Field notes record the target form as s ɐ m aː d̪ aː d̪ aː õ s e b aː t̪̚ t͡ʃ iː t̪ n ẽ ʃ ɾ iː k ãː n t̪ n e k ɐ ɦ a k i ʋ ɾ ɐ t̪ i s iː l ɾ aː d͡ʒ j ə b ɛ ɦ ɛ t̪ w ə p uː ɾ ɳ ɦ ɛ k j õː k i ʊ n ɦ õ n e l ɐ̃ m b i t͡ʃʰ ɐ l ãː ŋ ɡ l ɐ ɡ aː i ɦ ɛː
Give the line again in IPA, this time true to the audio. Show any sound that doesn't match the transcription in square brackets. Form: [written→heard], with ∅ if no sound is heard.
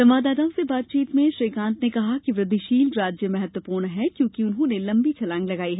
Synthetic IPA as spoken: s ɐ m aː d̪ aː d̪ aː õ s e b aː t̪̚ t͡ʃ iː t̪ [n→m] ẽ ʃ ɾ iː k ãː n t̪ n e k ɐ ɦ a k i ʋ ɾ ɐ [t̪→d̪] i [s→ʃ] iː l ɾ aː d͡ʒ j ə [b→m] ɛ ɦ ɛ t̪ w ə p uː ɾ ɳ ɦ ɛ k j õː k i ʊ n ɦ õ n e l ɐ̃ m b i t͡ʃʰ ɐ l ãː ŋ ɡ l ɐ ɡ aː i ɦ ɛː